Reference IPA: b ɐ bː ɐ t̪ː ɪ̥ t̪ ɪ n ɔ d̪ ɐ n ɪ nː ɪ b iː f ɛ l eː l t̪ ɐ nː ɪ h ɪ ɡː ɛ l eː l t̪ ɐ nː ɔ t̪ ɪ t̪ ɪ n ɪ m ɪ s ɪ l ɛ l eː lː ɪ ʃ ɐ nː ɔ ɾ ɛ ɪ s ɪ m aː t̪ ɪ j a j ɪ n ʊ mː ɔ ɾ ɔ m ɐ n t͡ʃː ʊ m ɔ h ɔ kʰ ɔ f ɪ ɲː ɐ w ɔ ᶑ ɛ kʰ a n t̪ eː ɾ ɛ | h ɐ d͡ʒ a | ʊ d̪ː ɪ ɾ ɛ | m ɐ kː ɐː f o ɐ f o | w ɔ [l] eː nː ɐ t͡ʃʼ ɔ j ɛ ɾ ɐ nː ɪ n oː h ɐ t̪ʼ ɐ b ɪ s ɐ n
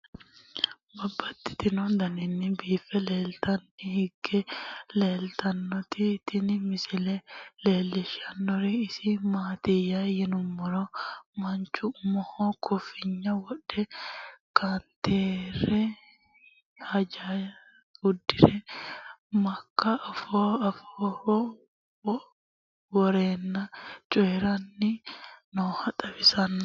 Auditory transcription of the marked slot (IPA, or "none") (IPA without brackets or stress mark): ɾ